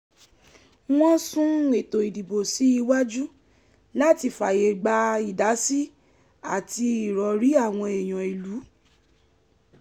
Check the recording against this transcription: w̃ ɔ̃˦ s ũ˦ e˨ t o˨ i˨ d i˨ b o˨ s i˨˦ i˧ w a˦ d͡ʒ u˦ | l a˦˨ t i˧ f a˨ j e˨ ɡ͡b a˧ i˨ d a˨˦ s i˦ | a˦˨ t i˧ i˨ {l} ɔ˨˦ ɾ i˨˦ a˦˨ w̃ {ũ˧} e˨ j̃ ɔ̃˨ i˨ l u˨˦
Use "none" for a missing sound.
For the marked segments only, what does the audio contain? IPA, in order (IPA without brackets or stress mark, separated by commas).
ɾ, ɔ̃˧